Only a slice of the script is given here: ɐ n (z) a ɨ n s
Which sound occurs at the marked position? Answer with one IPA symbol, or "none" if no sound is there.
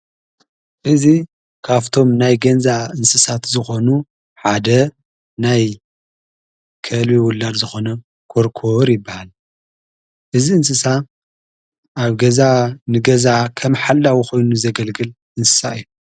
z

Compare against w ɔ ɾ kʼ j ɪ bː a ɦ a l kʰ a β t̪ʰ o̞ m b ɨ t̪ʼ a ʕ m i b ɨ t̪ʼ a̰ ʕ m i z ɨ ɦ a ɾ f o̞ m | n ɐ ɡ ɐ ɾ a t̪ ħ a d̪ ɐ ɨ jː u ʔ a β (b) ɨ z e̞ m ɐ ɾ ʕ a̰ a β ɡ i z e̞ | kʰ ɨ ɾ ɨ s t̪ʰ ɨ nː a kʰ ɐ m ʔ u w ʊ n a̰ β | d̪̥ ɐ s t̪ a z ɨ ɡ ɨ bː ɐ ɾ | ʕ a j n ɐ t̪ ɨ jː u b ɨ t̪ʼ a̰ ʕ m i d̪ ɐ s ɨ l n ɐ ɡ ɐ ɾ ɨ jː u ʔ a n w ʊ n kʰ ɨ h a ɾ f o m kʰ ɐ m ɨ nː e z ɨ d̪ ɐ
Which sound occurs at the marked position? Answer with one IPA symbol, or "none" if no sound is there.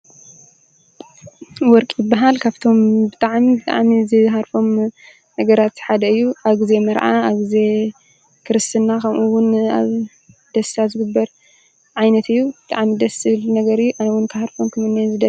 ɡ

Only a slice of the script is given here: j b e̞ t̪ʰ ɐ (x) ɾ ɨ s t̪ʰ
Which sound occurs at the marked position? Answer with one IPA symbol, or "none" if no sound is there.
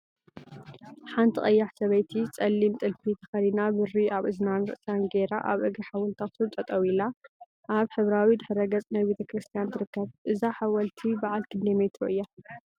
k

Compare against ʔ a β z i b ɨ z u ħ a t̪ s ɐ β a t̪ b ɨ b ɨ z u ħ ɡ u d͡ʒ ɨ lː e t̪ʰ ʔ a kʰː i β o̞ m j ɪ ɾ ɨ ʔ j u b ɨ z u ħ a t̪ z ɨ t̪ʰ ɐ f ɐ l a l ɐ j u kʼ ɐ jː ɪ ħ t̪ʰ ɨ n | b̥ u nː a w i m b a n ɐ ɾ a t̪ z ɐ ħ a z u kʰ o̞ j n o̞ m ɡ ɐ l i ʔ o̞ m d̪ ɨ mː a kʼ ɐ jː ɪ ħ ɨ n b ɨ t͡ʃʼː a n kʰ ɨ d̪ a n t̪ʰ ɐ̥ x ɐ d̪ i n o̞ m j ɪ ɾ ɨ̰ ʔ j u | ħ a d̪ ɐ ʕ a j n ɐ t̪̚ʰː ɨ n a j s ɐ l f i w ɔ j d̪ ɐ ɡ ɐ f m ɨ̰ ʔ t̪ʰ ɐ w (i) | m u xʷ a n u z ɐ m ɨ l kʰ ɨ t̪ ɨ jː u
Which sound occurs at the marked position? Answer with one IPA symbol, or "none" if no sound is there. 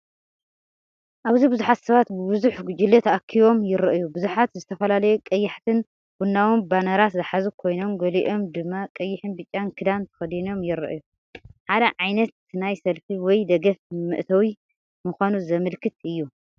i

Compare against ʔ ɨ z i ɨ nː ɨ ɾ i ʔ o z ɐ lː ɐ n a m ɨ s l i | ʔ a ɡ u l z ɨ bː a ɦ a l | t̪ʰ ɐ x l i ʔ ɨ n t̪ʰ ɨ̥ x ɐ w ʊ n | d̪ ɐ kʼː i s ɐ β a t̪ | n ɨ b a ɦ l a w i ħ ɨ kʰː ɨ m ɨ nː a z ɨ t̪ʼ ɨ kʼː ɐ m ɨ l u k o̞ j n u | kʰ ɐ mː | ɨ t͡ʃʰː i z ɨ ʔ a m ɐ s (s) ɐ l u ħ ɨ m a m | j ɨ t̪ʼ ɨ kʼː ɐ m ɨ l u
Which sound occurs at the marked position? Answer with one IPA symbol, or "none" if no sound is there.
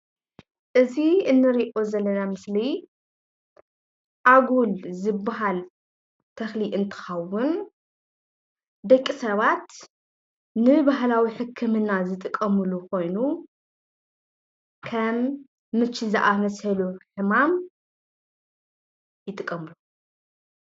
h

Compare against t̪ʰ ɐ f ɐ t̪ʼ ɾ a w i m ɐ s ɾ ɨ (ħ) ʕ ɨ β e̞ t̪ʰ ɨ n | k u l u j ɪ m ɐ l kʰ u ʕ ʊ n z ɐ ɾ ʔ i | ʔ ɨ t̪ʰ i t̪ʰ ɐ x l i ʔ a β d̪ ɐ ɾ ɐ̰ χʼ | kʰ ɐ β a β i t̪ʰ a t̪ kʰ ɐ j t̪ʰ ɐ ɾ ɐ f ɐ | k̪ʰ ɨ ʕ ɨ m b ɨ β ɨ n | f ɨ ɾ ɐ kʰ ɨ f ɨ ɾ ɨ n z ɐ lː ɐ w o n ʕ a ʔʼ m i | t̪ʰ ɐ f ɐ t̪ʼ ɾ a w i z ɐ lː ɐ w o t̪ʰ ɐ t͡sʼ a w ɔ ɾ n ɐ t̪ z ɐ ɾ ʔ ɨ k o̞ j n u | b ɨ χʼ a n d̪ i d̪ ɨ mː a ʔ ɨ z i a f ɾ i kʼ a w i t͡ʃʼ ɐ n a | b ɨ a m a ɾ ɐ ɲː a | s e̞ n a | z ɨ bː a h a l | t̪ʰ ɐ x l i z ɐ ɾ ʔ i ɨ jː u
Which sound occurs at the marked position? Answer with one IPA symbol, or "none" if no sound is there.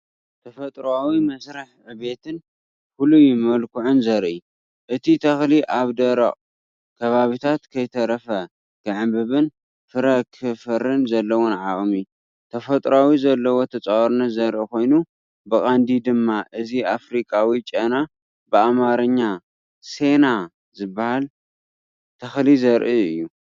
ħ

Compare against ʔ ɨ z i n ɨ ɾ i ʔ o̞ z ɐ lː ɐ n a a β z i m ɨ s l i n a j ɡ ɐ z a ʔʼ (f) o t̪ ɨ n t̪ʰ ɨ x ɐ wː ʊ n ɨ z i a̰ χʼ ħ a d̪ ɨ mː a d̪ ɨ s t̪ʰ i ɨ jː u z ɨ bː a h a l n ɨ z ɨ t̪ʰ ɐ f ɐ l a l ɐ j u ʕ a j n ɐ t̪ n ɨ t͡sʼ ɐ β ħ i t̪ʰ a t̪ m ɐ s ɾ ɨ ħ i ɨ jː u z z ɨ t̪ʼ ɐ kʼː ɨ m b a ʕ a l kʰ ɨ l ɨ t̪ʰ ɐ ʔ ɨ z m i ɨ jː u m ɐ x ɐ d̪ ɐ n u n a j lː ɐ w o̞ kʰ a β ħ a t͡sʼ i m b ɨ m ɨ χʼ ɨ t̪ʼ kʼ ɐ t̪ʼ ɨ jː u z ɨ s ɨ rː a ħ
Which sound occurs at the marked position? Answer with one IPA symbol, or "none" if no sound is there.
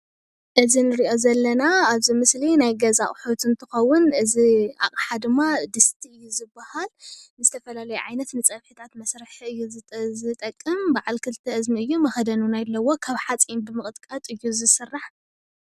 ħ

